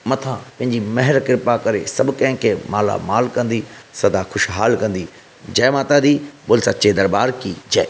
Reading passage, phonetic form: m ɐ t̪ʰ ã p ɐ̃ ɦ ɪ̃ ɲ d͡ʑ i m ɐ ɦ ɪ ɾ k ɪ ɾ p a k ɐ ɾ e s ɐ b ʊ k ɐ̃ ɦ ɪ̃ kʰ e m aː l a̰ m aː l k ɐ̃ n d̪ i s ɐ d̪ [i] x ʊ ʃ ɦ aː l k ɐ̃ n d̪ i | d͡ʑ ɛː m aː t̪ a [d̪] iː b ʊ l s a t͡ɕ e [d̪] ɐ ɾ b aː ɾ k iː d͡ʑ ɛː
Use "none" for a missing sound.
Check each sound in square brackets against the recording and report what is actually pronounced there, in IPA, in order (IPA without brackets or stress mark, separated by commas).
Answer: a, d̪, d̪